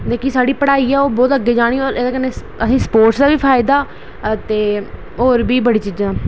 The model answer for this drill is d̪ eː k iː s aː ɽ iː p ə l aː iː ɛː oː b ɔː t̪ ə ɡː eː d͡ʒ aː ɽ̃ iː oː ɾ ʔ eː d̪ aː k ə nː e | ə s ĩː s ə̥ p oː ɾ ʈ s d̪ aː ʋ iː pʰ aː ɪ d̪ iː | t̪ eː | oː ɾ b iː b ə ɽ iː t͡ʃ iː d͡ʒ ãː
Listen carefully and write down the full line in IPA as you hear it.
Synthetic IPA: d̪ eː k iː s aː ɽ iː p ə ɽ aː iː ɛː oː b ɔː t̪ ə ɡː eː d͡ʒ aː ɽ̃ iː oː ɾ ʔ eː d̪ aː k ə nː e | ə s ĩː s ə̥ p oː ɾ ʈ s d̪ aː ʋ iː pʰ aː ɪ d̪ aː | t̪ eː | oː ɾ b iː b ə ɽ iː t͡ʃ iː d͡ʒ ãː